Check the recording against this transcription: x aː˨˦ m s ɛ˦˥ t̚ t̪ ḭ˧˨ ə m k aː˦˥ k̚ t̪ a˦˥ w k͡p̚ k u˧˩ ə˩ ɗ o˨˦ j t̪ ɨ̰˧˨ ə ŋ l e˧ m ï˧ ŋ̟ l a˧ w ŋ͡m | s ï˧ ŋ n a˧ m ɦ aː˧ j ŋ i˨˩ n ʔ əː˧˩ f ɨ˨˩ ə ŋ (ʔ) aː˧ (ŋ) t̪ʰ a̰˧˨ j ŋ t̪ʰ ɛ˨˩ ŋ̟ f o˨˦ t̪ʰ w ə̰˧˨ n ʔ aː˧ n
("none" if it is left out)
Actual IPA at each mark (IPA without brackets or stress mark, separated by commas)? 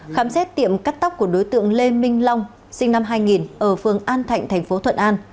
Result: ʔ, n